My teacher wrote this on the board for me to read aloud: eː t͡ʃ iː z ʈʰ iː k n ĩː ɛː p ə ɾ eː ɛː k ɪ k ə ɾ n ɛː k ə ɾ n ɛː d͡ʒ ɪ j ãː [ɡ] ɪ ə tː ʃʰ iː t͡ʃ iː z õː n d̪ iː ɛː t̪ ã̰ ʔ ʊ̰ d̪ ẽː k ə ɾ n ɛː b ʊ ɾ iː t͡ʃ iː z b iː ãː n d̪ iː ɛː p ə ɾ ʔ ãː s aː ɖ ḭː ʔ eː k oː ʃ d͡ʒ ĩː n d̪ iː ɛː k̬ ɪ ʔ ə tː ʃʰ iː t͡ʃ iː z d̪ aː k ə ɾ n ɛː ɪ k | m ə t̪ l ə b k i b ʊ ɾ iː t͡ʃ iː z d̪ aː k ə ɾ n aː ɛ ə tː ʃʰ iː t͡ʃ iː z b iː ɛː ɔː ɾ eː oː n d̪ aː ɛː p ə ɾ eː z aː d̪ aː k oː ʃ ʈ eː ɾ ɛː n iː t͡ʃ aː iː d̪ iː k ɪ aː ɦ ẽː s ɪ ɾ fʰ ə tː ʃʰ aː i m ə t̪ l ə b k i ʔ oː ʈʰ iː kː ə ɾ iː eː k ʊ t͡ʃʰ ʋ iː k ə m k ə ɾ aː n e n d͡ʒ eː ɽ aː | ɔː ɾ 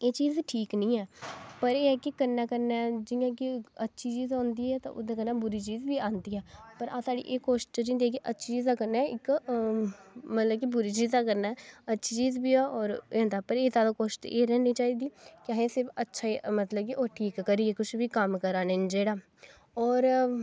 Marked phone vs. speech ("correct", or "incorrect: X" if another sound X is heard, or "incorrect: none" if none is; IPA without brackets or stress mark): incorrect: k